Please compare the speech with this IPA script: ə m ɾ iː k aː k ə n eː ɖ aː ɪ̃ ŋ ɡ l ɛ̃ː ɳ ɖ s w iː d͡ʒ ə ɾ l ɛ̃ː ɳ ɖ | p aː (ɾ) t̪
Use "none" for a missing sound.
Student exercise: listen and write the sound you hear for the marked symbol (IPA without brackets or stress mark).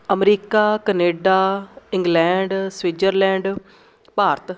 ɾ